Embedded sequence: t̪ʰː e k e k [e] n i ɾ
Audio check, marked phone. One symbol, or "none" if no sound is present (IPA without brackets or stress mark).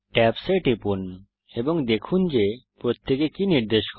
i